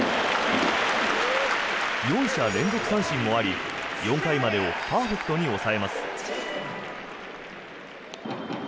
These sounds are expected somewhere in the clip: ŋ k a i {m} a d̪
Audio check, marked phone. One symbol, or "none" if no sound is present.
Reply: m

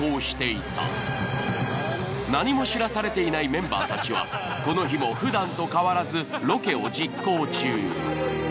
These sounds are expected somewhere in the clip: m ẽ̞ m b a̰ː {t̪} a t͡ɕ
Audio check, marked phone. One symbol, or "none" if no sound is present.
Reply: t̪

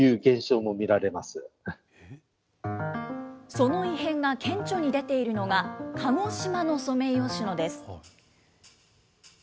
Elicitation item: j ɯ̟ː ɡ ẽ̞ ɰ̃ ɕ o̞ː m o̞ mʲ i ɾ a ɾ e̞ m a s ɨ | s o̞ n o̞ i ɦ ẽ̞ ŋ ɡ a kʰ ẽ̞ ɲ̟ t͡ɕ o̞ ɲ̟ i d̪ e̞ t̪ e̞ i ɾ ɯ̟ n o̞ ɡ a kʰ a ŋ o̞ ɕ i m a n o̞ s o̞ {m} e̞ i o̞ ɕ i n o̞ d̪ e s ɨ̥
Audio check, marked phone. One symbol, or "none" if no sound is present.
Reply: m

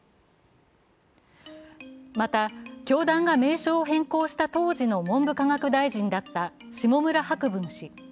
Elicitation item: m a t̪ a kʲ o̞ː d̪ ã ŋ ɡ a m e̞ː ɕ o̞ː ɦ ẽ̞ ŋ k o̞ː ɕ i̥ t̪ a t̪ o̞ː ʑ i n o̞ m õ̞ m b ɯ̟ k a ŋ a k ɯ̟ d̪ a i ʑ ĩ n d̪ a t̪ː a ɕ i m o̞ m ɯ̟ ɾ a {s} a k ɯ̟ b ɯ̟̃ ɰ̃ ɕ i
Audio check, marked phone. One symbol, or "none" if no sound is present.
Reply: h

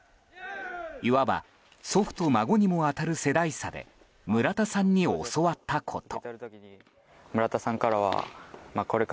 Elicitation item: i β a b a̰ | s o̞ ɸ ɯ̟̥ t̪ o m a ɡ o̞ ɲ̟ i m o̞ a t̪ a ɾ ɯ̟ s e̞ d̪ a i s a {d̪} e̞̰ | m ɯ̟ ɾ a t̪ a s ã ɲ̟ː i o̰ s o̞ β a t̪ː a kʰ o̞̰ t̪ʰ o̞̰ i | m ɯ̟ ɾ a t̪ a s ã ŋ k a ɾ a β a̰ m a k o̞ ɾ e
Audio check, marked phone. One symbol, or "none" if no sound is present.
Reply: d̪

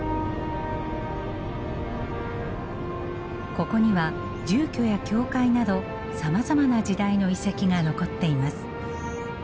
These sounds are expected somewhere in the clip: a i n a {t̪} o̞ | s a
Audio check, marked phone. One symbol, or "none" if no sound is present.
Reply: d̪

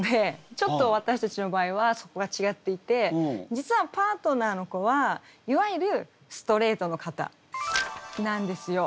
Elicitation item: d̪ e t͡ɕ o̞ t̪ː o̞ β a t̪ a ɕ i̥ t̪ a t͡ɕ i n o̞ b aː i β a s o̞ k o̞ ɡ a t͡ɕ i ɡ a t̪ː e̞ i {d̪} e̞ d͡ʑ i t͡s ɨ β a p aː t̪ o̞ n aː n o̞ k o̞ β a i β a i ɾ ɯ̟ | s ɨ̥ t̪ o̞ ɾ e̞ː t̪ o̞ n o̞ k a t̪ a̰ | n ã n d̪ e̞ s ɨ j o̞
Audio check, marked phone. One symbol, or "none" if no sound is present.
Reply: t̪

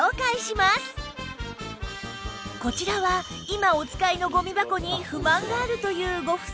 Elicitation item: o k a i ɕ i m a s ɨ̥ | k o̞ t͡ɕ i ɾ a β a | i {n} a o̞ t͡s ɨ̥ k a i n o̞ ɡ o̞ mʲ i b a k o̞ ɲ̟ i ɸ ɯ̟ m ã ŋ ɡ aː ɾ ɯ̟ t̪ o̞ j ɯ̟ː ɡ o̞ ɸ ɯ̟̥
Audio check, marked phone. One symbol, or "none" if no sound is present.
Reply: m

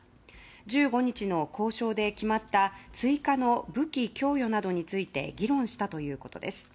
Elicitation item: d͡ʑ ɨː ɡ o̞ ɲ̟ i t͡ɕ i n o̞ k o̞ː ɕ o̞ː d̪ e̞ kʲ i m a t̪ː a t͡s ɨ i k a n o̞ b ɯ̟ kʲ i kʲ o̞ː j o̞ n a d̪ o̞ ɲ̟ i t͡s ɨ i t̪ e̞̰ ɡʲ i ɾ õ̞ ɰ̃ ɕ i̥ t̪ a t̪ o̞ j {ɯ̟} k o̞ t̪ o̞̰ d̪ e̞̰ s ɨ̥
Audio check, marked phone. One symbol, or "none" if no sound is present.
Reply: ɯ̟ː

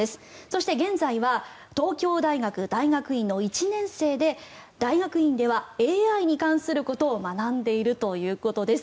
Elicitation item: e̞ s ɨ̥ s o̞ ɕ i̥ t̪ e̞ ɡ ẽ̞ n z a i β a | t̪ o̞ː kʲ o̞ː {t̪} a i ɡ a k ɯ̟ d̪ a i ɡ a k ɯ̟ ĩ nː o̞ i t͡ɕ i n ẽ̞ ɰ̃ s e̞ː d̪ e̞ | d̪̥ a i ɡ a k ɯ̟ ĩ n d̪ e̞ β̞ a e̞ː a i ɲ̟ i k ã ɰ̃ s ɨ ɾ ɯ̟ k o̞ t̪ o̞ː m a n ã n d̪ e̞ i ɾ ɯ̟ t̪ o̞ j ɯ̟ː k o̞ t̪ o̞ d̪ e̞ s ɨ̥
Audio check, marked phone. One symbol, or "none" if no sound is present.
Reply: d̪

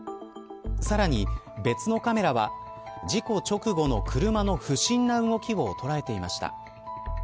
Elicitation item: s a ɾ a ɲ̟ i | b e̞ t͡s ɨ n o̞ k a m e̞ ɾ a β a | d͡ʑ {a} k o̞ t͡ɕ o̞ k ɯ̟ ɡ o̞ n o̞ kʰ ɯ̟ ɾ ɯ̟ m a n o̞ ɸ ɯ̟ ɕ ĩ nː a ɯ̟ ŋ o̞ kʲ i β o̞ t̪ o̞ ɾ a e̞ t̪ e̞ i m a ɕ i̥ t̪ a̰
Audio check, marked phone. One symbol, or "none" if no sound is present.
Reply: i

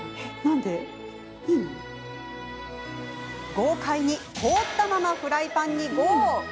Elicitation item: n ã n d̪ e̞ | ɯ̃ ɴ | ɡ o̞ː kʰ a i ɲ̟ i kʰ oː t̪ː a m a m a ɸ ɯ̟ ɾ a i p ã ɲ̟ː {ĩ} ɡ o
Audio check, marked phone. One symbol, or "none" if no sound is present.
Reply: i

